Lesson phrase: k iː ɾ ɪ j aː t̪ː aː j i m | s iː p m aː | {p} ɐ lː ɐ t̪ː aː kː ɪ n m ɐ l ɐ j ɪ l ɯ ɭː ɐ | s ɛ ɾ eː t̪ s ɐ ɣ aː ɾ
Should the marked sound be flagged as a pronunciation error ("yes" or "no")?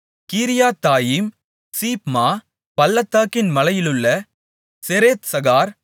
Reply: no